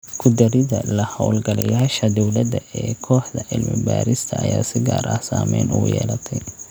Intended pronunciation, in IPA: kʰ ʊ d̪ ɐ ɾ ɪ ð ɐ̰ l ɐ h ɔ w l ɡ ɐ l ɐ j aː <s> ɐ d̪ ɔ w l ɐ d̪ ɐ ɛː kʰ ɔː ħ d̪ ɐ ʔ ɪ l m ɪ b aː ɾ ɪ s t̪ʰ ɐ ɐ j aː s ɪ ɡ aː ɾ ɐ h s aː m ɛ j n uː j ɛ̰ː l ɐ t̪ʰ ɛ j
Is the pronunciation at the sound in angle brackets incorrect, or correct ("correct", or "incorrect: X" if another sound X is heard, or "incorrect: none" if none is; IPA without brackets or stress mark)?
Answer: incorrect: ʃ